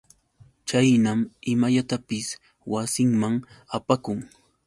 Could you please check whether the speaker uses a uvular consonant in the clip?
no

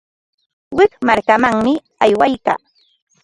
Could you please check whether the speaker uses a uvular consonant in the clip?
no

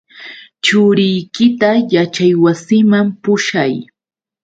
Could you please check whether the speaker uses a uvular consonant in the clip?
no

